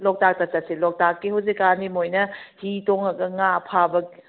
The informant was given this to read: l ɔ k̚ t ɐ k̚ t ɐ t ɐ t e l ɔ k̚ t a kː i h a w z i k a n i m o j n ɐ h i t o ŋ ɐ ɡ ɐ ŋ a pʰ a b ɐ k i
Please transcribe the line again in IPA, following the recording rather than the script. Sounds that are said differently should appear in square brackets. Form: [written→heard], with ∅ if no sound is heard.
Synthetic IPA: l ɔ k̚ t [ɐ→a] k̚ t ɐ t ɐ [t→s] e l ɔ k̚ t a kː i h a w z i k a n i m o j n ɐ h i t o ŋ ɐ ɡ ɐ ŋ a pʰ a b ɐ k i